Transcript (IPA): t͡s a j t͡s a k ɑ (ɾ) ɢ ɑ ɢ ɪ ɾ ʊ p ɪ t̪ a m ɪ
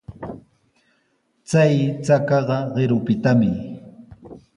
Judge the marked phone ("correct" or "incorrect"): incorrect